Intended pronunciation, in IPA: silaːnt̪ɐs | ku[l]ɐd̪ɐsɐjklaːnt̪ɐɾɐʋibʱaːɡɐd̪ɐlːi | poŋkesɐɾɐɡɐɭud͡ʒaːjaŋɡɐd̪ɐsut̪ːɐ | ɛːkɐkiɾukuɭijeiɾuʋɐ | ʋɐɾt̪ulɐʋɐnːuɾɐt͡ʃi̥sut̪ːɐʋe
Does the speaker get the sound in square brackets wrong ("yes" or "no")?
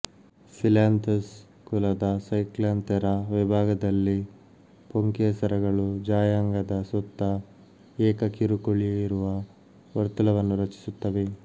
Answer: no